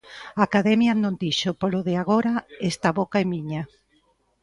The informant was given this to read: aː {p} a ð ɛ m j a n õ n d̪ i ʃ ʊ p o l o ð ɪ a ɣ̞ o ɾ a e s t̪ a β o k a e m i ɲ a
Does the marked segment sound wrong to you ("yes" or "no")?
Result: yes